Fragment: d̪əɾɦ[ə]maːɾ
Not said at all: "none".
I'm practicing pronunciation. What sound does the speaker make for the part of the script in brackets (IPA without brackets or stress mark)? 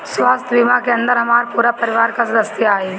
ɐ